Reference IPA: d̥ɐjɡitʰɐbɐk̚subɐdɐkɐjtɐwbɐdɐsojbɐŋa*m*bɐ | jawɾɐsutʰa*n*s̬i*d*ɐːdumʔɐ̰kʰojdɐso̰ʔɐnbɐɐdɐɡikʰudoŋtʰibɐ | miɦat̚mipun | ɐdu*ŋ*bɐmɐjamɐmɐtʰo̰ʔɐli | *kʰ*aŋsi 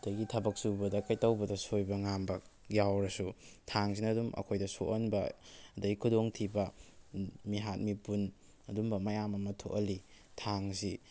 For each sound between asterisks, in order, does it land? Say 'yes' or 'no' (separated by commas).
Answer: yes, no, no, no, no